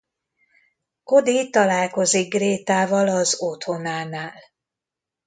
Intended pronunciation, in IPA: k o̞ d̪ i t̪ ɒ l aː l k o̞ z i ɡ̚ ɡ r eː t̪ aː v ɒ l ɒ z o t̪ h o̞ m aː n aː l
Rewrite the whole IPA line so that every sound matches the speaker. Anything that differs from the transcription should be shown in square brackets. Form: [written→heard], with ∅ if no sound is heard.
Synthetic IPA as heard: k o̞ d̪ i t̪ ɒ l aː l k o̞ z i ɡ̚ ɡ r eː t̪ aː v ɒ l ɒ z o t̪ h o̞ [m→n] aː n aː l